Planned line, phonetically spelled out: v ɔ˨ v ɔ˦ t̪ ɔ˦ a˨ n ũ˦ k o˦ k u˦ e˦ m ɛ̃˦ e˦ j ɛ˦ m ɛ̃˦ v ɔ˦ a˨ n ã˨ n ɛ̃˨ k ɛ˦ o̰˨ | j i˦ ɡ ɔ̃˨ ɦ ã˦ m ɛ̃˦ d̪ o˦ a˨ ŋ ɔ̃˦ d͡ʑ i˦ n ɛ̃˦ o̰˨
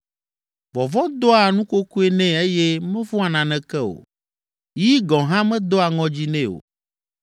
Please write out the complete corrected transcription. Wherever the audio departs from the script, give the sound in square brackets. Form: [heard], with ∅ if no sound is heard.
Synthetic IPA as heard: v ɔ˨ v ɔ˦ [d̪] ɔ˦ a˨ n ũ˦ k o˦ k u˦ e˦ [n] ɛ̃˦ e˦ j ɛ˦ m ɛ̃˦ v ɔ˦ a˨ n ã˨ n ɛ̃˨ k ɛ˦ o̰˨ | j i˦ ɡ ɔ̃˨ ɦ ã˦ m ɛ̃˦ d̪ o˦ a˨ ŋ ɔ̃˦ d͡ʑ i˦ n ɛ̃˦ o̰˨

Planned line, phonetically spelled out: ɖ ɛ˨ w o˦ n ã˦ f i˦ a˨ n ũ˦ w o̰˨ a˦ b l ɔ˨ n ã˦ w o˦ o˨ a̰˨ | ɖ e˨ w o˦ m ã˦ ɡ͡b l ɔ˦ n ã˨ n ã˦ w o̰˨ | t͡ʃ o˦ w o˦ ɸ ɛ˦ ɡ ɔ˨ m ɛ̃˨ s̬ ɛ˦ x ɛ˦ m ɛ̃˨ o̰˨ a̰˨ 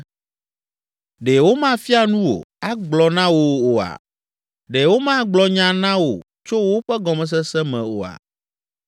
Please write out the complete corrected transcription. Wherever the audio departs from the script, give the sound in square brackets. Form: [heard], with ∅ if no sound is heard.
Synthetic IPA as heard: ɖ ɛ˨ w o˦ [m] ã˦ f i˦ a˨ n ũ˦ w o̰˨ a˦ [ɡ͡b] l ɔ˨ n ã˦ w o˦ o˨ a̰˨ | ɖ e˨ w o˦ m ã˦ ɡ͡b l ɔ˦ [ɲ] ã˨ n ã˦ w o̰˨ | t͡ʃ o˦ w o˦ ɸ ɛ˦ ɡ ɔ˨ m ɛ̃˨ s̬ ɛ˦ [s] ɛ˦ m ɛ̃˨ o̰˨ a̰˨

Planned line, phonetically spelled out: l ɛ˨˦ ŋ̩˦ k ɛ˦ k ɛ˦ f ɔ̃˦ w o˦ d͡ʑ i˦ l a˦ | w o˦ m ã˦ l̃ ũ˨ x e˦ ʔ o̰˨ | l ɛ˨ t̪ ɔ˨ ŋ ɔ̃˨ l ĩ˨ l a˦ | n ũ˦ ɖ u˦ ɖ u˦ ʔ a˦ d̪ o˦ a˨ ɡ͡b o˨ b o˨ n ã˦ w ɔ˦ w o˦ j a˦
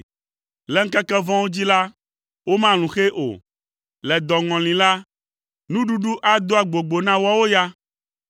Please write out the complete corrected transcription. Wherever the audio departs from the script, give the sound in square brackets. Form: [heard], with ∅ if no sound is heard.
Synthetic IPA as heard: l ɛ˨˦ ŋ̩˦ k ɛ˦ k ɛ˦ [v] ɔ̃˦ w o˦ d͡ʑ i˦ l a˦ | w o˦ m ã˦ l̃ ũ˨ x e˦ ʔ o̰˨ | l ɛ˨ [d̪] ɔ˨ ŋ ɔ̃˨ l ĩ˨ l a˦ | n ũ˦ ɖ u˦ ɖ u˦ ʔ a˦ d̪ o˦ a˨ ɡ͡b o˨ [ɡ͡b] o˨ n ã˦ w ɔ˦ w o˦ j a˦

